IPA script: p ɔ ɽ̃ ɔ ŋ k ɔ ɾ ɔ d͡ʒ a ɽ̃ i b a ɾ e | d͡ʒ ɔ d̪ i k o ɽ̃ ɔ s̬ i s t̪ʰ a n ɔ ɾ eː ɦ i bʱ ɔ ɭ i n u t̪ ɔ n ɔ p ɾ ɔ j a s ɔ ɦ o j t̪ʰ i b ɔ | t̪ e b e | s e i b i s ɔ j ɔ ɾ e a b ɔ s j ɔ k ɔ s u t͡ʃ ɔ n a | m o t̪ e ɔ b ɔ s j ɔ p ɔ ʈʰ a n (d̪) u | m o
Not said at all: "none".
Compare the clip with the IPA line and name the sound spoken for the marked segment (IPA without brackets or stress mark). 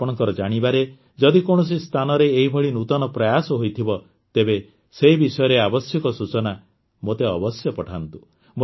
t̪